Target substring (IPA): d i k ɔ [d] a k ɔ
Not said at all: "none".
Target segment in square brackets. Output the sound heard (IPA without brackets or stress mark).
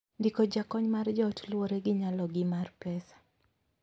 d͡ʒ